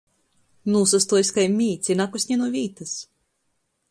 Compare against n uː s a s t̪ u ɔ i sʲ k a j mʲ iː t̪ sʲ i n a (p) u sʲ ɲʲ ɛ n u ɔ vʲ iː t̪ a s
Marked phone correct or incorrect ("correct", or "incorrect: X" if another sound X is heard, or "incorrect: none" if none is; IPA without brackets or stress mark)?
incorrect: k